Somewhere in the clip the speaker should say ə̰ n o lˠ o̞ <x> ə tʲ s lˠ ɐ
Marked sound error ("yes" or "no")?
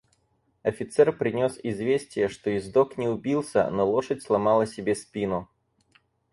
yes